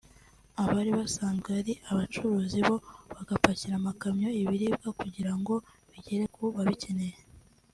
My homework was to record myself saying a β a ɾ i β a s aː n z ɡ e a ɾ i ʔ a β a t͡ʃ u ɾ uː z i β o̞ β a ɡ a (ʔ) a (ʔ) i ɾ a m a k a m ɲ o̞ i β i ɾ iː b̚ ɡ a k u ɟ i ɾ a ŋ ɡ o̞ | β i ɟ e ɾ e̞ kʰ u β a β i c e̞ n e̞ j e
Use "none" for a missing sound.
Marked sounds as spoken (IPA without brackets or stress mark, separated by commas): p, c